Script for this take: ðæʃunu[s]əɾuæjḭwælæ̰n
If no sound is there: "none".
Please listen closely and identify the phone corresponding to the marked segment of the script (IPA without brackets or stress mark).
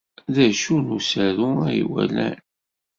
s